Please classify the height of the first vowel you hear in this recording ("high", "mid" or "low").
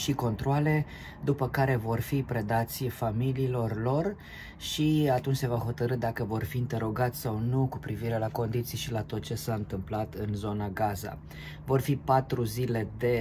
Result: high